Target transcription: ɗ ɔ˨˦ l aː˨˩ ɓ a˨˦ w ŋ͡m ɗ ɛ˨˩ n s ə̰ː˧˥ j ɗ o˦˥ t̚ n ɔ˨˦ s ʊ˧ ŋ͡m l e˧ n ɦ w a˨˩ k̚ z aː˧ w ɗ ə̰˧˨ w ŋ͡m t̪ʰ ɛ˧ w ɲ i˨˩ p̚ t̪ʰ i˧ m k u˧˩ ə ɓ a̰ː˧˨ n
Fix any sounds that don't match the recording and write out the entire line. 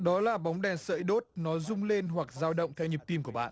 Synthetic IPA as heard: ɗ ɔ˨˦ l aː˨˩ ɓ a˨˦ w ŋ͡m ɗ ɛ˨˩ n s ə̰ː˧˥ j ɗ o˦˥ t̚ n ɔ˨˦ z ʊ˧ ŋ͡m l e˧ n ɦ w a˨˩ k̚ z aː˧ w ɗ ə̰˧˨ w ŋ͡m t̪ʰ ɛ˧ w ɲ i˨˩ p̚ t̪ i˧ m k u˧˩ ə ɓ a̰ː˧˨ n